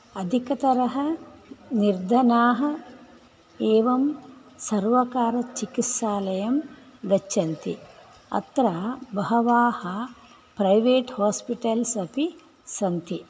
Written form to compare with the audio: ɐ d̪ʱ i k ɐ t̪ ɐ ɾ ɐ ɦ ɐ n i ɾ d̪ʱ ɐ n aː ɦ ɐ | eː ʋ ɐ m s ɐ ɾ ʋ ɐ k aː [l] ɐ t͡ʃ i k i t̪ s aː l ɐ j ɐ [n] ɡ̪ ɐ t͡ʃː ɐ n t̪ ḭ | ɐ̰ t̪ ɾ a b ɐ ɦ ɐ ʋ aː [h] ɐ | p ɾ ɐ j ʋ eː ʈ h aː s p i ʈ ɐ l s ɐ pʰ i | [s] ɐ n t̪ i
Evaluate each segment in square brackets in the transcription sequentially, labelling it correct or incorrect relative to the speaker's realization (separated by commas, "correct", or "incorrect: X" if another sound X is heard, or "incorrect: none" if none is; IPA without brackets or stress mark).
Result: incorrect: ɾ, incorrect: m, correct, correct